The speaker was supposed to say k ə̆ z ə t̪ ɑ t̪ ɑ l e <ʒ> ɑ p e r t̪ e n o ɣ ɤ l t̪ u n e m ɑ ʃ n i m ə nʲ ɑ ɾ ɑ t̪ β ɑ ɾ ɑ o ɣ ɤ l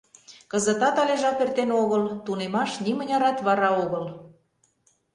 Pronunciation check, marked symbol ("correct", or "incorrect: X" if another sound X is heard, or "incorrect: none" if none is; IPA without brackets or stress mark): correct